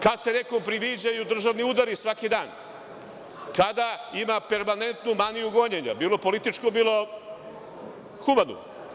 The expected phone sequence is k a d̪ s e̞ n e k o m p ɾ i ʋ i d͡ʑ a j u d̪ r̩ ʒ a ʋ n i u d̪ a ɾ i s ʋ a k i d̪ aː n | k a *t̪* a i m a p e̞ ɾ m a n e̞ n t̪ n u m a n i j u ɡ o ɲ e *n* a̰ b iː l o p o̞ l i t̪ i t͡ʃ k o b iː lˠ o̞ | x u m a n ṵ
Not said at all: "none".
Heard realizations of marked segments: d̪, ɲ

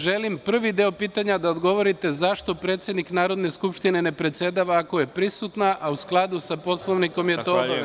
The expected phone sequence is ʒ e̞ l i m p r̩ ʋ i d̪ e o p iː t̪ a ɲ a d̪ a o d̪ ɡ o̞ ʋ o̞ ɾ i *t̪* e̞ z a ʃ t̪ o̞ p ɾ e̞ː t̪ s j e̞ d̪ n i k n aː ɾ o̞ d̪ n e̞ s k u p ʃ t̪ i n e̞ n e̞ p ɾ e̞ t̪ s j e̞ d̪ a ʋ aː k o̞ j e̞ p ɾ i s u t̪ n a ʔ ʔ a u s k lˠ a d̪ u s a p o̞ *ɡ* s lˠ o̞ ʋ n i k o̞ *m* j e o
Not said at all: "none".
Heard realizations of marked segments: t̪, none, m

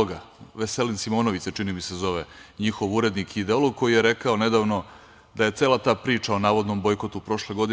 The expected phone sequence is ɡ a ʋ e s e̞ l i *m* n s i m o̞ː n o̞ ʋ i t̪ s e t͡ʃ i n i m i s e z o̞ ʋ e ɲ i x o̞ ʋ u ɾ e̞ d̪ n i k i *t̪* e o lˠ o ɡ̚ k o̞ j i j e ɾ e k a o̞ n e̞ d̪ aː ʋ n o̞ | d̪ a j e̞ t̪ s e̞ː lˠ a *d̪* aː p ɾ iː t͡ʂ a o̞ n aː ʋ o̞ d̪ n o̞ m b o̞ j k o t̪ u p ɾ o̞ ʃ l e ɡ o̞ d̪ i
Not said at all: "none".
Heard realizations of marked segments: none, d̪, t̪

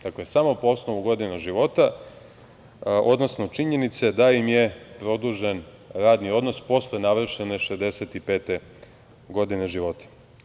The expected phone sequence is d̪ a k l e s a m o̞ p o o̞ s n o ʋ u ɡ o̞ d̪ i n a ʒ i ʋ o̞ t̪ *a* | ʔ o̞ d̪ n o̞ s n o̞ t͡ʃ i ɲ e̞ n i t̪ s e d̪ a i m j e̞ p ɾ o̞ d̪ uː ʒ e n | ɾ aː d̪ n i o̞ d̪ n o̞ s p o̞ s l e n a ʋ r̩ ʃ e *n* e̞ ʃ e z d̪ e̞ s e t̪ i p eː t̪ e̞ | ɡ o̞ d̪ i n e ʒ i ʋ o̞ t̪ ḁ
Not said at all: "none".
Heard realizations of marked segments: a, n

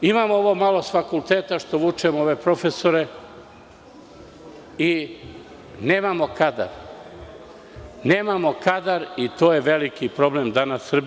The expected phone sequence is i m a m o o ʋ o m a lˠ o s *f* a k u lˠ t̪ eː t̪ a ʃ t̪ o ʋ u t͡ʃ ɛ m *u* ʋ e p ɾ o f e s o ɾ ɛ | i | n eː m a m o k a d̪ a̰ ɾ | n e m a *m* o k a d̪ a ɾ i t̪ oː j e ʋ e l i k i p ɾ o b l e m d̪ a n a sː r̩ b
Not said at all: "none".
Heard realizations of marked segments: f, o, m

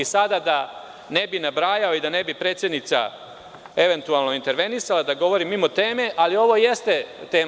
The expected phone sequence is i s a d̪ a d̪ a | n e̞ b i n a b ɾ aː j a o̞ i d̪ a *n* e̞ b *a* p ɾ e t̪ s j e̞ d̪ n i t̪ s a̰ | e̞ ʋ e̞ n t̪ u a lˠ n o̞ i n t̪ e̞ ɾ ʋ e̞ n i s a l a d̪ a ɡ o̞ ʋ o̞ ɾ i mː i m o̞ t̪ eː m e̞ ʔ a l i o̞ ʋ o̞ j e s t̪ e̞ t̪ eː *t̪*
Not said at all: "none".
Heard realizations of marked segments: n, i, none

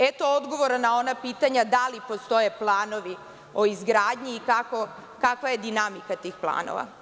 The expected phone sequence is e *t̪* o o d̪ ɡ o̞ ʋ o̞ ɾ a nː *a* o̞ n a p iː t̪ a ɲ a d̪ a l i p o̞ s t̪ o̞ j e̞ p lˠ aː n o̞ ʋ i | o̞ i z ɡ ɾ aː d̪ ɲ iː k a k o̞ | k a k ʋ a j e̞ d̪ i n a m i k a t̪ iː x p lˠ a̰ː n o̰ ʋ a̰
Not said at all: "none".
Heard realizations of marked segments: t̪, a

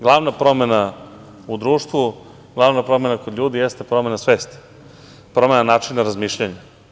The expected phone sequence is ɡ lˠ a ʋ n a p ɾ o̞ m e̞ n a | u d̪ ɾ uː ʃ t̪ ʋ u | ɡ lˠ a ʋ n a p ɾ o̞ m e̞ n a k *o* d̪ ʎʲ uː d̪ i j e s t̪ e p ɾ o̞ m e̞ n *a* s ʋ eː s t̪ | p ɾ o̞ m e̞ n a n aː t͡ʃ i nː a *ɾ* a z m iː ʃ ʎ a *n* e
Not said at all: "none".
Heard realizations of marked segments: o, a, ɾ, ɲ

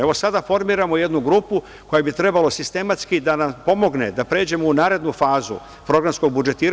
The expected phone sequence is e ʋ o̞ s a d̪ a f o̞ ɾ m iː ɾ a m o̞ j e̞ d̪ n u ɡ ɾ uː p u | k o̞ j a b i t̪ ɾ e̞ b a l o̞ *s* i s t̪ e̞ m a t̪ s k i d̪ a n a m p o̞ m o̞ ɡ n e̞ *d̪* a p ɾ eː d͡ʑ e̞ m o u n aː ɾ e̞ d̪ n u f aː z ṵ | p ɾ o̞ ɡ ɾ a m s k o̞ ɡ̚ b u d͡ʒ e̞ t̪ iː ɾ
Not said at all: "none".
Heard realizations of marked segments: s, d̪

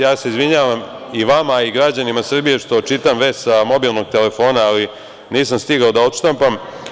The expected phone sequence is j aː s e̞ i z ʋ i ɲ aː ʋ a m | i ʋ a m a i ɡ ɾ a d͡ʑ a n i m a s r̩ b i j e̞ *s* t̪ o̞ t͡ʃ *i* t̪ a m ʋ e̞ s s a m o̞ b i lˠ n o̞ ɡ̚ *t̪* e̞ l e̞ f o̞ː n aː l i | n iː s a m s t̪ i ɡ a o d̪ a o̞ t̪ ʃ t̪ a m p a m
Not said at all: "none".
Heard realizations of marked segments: ʂ, i, t̪

